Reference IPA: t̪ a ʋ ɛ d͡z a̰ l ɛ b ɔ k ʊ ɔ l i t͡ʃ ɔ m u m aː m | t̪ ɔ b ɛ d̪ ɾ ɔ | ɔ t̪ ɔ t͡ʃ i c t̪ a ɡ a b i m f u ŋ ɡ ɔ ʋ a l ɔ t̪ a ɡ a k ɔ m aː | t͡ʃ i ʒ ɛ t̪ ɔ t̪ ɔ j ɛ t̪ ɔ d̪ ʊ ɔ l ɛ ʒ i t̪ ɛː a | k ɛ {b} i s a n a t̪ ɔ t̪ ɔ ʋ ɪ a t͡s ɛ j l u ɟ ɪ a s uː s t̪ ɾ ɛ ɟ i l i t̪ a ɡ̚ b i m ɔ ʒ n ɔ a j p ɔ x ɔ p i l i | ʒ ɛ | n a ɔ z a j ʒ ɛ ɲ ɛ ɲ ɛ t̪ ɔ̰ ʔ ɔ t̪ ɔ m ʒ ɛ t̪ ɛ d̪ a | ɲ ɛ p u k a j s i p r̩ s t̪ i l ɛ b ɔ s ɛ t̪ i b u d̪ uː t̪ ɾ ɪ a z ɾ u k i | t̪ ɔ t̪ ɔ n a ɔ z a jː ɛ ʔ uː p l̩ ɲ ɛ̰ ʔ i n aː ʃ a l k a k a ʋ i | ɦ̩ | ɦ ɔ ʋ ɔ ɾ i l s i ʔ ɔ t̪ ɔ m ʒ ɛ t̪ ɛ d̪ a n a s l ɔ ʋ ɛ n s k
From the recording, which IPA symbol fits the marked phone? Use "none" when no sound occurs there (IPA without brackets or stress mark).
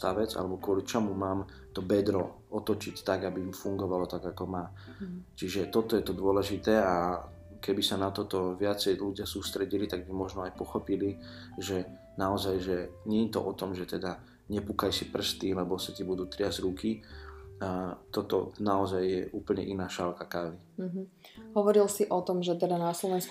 b